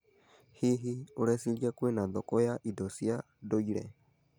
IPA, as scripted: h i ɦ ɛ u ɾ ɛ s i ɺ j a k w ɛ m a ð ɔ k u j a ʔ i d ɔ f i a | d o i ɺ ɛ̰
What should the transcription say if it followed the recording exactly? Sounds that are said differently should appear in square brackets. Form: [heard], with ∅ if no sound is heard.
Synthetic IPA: h i ɦ [i] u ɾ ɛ s i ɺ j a k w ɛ [n] a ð ɔ k [ɔ] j a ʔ i d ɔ [s] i a | d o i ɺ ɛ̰